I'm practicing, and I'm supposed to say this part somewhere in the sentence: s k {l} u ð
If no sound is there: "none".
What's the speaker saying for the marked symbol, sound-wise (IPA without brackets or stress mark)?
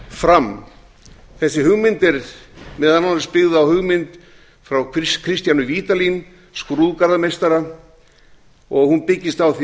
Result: ɾ